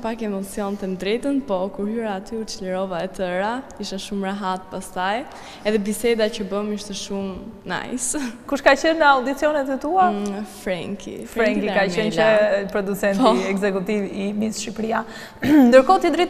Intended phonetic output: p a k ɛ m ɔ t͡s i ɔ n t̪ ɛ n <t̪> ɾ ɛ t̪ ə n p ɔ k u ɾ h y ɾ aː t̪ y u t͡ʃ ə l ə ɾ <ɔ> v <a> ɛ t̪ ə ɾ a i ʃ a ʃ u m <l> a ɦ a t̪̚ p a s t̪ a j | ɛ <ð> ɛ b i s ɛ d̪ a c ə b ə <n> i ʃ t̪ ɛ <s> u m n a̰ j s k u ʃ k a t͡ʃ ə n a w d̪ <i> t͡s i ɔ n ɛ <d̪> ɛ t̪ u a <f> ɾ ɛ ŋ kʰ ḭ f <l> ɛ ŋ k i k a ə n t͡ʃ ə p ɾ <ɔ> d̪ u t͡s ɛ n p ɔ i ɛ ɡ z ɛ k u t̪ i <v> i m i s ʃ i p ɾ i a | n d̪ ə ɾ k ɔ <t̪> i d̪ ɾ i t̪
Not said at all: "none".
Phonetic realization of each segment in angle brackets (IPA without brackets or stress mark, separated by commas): d̪, ɔ, a, ɾ, ð, m, ʃ, i, t̪, f, ɾ, ɔ, v, t̪